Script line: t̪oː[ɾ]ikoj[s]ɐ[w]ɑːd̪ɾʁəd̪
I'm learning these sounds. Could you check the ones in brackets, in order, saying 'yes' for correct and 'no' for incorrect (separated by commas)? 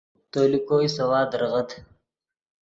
no, yes, yes